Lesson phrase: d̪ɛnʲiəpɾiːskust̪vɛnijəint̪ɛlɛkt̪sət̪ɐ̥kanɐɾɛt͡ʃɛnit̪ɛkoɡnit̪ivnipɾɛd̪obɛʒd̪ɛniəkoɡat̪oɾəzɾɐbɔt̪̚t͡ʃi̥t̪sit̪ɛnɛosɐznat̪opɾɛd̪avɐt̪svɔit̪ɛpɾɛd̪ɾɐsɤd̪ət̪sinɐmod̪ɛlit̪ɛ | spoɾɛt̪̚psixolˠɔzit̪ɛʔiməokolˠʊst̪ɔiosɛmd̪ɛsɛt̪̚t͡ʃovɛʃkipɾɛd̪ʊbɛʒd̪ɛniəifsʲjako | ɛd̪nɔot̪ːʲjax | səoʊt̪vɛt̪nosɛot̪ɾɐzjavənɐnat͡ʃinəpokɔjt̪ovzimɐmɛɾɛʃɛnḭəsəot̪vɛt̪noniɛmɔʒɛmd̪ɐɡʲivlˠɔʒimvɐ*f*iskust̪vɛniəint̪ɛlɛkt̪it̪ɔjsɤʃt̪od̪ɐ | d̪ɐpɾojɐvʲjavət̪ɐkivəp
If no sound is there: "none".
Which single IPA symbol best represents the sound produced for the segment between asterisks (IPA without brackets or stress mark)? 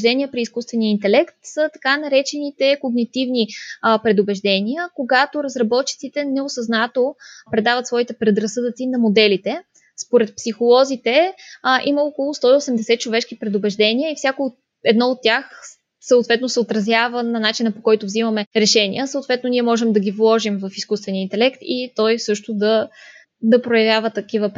f